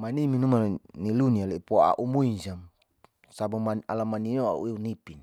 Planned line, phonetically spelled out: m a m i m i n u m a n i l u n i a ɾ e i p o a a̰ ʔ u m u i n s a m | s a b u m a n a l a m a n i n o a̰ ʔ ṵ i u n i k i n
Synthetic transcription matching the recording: m a n i m i n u m a n i l u n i a l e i p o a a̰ ʔ u m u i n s a m | s a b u m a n a l a m a n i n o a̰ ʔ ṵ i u n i p i n